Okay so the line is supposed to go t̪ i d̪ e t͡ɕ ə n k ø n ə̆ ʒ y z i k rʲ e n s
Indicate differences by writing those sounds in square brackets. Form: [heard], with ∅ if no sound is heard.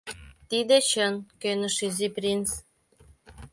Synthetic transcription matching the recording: t̪ i d̪ e t͡ɕ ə n k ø n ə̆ [ʃ] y z i [p] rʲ [i] n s

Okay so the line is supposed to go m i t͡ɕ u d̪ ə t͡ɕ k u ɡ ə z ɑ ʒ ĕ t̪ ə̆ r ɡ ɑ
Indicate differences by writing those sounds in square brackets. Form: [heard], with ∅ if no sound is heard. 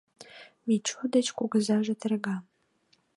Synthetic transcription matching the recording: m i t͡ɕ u d̪ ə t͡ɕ k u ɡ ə z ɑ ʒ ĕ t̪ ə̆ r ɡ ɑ

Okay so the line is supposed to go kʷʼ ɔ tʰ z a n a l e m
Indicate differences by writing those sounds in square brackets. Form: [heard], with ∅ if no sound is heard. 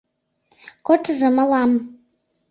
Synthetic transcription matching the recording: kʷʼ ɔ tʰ z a [m] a l [a] m

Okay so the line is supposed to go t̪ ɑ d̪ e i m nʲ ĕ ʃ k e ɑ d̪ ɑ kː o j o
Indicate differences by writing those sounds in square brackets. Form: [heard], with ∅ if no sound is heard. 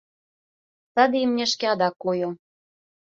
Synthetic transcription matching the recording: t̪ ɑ d̪ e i m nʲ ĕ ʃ k e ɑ d̪ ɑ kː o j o

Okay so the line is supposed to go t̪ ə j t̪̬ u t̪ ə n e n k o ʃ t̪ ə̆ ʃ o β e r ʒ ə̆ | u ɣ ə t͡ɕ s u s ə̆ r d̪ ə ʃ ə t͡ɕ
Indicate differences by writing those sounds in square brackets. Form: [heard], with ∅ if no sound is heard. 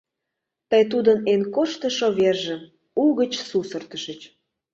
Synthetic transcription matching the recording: t̪ ə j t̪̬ u [d̪] ə n e n k o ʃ t̪ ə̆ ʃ o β e r ʒ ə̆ | u ɣ ə t͡ɕ s u s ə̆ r [t̪] ə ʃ ə t͡ɕ

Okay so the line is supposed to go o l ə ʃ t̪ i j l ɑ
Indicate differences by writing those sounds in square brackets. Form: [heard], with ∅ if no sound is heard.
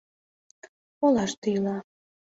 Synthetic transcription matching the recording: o l [ɑ] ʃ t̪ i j l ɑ

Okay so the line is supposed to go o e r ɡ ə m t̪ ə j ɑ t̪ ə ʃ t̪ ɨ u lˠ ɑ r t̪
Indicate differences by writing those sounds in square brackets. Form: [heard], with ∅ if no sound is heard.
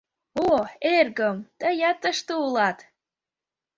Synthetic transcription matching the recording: o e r ɡ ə m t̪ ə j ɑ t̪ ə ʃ t̪ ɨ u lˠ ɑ [∅] t̪

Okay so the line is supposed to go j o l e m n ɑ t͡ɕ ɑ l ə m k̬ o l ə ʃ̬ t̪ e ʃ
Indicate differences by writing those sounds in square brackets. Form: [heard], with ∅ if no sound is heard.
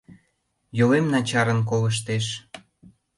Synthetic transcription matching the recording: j o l e m n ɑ t͡ɕ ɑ [ɾ] ə [n] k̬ o l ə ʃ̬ t̪ e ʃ

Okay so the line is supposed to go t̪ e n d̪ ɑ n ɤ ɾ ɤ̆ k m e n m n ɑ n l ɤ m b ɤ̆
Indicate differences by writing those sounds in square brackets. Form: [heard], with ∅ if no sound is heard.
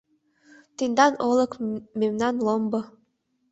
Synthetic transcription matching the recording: t̪ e n d̪ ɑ n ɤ [l] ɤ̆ k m e [∅] m n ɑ n l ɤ m b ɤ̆

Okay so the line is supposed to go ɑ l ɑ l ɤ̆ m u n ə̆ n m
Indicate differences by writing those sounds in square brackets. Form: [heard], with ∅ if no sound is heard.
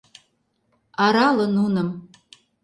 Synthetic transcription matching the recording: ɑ [ɾ] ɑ l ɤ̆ [n] u n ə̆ [∅] m

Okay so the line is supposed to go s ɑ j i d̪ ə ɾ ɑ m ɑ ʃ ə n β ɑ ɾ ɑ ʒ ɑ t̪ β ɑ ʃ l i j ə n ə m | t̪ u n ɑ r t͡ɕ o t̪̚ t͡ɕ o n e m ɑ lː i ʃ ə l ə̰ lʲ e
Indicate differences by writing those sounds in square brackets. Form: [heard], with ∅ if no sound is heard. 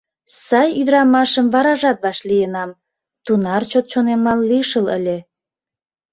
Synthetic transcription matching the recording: s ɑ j [y] d̪ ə ɾ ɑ m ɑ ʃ ə [m] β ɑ ɾ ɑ ʒ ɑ t̪ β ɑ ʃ l i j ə n [ɑ] m | t̪ u n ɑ r t͡ɕ o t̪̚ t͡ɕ o n e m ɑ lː i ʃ ə l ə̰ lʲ e

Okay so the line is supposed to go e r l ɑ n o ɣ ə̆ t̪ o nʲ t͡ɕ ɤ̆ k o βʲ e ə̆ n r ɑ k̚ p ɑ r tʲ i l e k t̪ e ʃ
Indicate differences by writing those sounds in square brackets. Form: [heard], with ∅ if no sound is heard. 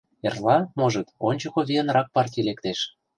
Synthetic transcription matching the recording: e r l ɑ [m] o [ʒ] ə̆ t̪ o nʲ t͡ɕ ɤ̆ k o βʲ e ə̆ n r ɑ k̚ p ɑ r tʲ i l e k t̪ e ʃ

